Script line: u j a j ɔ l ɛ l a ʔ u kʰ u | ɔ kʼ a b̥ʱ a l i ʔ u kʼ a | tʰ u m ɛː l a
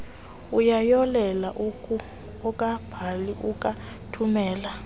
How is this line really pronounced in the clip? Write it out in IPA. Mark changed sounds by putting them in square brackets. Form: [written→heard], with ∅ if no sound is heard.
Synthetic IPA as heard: u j a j ɔ l ɛ l a ʔ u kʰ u | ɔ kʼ a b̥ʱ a l i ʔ u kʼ a | tʰ u m ɛː l a